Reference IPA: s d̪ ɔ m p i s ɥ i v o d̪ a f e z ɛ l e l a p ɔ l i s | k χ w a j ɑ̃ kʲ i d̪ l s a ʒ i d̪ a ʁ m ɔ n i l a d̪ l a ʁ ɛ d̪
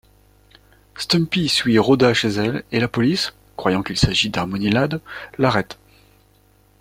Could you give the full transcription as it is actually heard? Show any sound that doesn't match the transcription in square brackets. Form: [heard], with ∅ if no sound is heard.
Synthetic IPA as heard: s [t̪] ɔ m p i s ɥ i [ʁ] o d̪ a [ʃ] e z ɛ l e l a p ɔ l i s | k χ w a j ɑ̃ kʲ i [∅] l s a ʒ i d̪ a ʁ m ɔ n i l a d̪ l a ʁ ɛ [t̪]